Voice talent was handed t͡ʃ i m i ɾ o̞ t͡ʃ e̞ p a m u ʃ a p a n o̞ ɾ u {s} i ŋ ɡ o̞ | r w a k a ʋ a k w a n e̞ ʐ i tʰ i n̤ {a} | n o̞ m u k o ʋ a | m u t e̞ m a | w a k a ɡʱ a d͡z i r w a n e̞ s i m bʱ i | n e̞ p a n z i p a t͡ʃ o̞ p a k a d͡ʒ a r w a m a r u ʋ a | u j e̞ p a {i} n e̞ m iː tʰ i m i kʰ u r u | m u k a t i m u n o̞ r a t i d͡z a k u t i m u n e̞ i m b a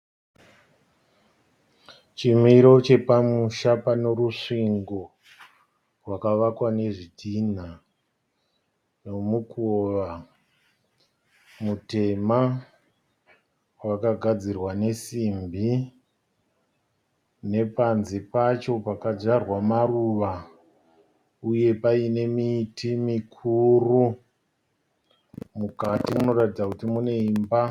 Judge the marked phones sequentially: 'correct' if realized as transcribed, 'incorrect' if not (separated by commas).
incorrect, correct, correct